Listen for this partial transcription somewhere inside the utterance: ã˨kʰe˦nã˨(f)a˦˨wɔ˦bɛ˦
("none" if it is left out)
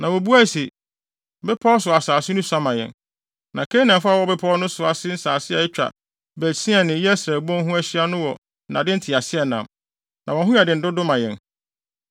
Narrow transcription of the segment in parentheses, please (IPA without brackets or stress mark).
f